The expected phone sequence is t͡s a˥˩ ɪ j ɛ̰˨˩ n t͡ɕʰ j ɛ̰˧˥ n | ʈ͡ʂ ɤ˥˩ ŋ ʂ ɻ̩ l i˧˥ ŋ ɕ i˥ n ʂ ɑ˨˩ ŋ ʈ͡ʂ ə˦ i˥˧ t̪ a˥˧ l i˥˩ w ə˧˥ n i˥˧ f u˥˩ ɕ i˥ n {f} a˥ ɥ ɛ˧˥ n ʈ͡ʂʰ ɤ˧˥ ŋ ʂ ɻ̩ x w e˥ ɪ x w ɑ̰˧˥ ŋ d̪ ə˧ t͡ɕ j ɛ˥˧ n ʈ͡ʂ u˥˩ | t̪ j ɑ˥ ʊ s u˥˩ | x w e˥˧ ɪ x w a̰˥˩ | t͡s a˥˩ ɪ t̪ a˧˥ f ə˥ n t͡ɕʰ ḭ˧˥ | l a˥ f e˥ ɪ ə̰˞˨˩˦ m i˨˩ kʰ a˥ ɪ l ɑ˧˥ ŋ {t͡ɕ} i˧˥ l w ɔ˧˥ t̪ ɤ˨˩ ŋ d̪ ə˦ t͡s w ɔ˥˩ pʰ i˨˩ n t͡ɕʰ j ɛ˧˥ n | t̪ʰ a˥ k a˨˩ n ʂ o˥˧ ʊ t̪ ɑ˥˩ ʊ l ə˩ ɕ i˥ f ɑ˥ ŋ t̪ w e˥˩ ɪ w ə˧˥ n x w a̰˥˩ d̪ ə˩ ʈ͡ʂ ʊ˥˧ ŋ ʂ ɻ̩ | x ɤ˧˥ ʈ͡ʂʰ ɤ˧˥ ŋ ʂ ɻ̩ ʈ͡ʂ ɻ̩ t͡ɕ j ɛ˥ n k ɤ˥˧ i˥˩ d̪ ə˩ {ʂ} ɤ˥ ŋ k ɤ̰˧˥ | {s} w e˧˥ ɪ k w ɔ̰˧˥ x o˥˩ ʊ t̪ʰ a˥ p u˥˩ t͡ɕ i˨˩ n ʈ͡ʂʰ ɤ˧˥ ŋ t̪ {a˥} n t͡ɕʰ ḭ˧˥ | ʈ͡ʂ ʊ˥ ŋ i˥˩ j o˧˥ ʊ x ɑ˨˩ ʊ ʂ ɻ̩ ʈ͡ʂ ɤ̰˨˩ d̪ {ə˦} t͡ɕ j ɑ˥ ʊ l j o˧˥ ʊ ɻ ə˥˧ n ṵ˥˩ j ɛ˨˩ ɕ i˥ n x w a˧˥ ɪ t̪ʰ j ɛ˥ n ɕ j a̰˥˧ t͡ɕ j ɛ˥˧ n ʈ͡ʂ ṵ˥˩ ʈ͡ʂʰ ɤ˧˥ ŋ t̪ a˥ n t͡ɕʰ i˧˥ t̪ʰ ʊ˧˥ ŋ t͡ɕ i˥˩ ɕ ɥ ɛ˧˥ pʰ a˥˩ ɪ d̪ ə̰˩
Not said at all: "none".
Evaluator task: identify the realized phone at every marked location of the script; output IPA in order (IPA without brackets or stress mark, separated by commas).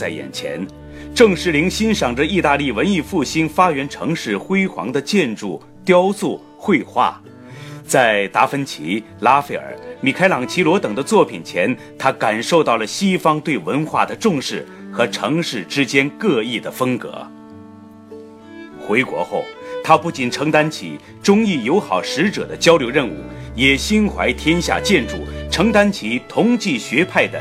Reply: f, t͡ɕʰ, f, x, a˥, ə˦